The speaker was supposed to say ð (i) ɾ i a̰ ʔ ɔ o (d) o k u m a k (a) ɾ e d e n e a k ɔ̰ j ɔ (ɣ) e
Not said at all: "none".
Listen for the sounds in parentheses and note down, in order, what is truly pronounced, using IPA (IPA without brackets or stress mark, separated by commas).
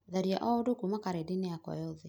a, d, a, ð